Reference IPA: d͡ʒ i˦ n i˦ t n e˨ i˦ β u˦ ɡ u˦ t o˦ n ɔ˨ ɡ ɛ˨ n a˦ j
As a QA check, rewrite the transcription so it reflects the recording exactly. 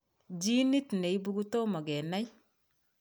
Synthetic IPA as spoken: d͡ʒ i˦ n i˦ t n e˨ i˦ b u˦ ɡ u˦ t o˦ m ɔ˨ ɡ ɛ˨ n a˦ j